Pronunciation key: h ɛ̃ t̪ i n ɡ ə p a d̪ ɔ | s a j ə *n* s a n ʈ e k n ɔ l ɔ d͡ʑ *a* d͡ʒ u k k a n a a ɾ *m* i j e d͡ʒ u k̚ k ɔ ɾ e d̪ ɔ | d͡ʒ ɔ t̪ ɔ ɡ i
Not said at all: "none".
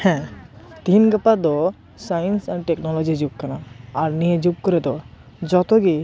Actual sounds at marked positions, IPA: n, i, n

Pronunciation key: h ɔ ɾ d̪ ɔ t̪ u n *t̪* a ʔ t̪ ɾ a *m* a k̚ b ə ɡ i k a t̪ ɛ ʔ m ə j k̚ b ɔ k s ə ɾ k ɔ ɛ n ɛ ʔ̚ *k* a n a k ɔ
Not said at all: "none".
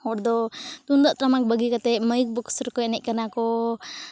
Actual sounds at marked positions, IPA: d̪, m, k

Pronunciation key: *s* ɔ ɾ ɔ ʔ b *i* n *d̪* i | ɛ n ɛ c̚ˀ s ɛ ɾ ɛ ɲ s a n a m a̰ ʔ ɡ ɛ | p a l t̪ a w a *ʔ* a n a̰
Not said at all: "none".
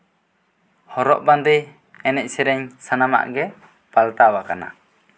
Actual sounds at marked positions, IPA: h, a, d̪, k

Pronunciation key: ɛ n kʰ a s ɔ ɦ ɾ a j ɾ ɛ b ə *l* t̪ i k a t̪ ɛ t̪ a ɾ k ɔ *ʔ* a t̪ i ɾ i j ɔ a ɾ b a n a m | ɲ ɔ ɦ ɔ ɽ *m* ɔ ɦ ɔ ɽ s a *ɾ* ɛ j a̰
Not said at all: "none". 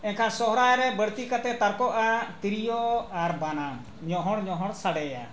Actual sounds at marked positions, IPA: ɽ, ʔ, ɲ, ɽ

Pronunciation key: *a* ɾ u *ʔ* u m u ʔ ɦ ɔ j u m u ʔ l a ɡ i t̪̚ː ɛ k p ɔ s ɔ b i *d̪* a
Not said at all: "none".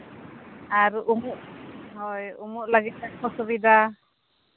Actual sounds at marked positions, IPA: a, ʔ, d̪

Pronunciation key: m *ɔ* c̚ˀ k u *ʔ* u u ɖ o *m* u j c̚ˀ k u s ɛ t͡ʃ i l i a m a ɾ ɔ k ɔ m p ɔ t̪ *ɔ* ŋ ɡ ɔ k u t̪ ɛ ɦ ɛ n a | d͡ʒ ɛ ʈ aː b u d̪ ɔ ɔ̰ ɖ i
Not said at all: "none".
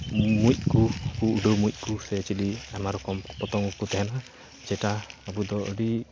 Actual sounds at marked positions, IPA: u, k, m, ɔ

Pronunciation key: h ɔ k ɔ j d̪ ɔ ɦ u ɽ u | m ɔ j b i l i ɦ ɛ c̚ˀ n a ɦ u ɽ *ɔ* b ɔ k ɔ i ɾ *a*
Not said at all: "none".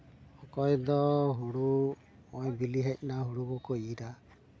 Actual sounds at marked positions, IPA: u, a

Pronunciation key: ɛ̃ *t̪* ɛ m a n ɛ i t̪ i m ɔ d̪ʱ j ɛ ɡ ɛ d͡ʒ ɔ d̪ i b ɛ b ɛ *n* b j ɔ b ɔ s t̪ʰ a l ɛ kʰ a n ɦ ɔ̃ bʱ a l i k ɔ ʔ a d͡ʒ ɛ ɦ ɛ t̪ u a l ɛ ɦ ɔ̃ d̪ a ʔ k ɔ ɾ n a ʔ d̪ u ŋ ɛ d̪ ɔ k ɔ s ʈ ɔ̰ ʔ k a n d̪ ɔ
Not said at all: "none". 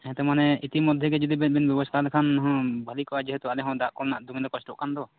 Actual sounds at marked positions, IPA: t̪, n

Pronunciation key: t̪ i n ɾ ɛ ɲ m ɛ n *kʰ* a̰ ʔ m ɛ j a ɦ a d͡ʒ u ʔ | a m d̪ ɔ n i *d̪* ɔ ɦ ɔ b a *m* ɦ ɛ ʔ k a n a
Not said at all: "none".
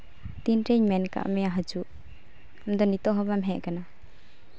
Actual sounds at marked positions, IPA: k, t̪, m

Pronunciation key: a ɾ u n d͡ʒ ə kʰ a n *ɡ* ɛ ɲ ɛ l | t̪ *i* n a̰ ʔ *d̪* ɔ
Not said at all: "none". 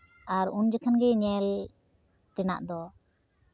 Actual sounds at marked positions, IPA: ɡ, ɛ, d̪

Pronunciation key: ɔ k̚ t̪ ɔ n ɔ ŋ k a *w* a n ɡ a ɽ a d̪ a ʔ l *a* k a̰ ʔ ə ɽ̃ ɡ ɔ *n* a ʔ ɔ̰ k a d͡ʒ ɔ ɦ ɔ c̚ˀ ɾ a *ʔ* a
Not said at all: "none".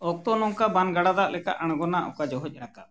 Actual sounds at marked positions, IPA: b, ɛ, n, k

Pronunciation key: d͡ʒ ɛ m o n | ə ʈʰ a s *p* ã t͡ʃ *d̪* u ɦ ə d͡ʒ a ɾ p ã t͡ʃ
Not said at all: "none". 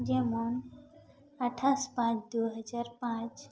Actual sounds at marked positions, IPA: p, d̪

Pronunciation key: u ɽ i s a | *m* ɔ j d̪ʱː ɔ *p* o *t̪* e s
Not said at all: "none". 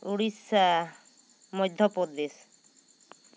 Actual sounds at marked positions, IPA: m, p, d̪

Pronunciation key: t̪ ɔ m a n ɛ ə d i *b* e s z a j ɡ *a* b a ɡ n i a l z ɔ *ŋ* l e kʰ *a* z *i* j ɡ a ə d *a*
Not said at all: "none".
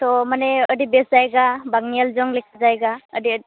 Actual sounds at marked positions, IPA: b, a, ŋ, a, a, i

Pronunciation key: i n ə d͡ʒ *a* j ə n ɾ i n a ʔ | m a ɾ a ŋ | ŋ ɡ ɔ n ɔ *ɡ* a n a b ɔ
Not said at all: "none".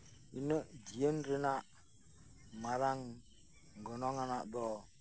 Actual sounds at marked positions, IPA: i, ŋ

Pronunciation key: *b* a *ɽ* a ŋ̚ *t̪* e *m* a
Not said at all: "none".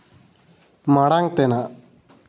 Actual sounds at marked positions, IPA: m, ɽ, t̪, n

